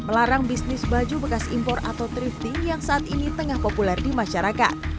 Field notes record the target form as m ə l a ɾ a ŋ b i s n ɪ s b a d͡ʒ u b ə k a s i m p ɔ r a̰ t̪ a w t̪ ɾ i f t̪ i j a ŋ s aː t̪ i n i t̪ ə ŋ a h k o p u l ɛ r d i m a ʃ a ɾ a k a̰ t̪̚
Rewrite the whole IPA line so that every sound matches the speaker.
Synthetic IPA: m ə l a ɾ a ŋ b i s n ɪ s b a d͡ʒ u b ə k a s i m p ɔ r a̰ t̪ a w t̪ ɾ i f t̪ i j a ŋ s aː t̪ i n i t̪ ə ŋ a h p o p u l ɛ r d i m a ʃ a ɾ a k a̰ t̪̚